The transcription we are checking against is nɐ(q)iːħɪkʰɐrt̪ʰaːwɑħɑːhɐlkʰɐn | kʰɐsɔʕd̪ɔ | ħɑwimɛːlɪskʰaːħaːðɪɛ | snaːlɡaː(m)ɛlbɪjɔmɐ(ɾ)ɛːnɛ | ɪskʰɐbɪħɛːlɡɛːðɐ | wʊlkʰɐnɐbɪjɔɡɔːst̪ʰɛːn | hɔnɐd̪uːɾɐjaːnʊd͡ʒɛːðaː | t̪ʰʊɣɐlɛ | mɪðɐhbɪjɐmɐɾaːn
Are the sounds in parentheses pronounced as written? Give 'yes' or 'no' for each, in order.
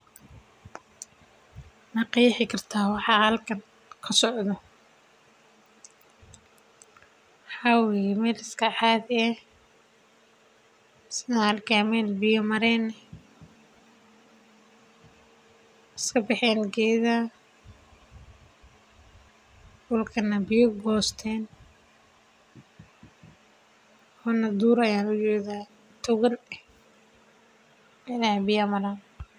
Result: yes, yes, yes

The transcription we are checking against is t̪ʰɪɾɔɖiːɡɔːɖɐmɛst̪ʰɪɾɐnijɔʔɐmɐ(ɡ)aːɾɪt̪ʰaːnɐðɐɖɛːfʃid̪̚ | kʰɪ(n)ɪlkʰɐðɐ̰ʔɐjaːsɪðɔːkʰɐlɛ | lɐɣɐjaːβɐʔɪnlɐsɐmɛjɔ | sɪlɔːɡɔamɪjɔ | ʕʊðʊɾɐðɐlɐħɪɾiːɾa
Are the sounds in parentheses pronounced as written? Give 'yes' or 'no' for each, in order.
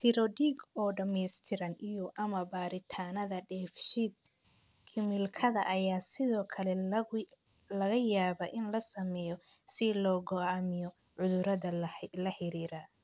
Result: no, no

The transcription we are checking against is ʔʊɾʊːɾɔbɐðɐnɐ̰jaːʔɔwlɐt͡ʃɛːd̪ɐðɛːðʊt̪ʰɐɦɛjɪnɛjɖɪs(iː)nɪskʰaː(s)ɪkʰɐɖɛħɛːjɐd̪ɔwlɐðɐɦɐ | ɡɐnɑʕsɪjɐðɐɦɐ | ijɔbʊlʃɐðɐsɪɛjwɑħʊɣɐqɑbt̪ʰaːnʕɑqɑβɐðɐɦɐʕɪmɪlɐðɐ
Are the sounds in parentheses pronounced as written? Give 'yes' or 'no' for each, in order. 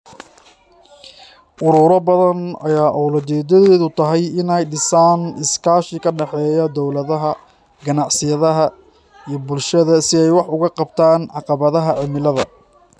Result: no, no

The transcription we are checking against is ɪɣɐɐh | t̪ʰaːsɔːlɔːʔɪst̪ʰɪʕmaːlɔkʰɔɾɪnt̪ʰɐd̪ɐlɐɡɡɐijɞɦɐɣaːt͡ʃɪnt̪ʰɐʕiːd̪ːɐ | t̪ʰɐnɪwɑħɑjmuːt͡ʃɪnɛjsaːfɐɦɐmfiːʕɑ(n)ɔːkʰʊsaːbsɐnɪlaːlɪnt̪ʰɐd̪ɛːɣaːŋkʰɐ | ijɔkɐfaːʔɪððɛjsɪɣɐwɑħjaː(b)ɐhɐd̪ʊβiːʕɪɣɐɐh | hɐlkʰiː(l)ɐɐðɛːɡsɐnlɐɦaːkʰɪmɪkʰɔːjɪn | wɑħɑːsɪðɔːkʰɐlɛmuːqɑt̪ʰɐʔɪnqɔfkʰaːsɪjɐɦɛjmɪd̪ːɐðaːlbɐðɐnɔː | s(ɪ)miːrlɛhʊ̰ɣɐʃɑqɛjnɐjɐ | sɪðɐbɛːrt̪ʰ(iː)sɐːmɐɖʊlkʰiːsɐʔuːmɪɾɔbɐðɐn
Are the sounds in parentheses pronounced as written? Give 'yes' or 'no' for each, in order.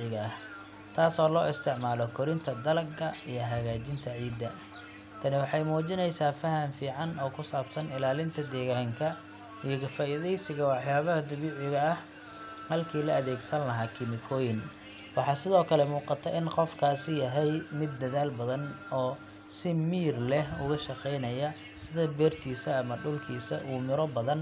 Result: yes, no, yes, yes, yes

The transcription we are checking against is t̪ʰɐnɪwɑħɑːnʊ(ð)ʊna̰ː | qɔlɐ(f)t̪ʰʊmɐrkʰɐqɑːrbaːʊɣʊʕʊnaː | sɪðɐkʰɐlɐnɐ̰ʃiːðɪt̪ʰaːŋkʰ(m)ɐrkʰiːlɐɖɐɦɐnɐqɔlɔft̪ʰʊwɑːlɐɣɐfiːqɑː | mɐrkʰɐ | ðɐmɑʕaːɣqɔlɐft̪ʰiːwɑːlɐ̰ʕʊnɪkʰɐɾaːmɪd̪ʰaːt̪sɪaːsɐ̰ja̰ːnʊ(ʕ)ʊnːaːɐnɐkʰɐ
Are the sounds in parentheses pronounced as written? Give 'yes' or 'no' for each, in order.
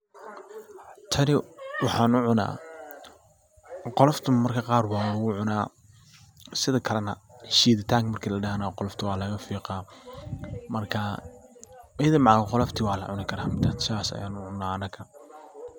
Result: no, yes, yes, yes

